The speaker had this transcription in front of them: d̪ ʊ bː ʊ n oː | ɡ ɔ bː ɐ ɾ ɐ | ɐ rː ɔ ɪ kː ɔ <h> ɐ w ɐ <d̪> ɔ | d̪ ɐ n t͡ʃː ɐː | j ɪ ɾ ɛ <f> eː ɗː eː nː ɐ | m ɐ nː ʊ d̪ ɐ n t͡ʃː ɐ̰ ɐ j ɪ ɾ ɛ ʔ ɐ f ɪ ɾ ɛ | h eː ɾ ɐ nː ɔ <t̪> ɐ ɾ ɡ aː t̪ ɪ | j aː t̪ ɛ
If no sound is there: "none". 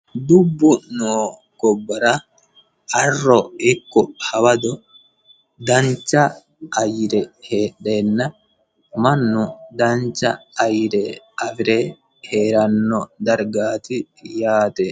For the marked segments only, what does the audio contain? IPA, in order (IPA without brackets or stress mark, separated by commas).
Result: h, d̪, h, d̪